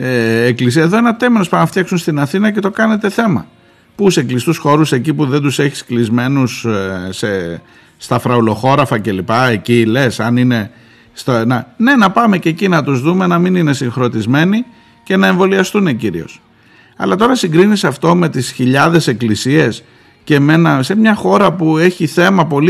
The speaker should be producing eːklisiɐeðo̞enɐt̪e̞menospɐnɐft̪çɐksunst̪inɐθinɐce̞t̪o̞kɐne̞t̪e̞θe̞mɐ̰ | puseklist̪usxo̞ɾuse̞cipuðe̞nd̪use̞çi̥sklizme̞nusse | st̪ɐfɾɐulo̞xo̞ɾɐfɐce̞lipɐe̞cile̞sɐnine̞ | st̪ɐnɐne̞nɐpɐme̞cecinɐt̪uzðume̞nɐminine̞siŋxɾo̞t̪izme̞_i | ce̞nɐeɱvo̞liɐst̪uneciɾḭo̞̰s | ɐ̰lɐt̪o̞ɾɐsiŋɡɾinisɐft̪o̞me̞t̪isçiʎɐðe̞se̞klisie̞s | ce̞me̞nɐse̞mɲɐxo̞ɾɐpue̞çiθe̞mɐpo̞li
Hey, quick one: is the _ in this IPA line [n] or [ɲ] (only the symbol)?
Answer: n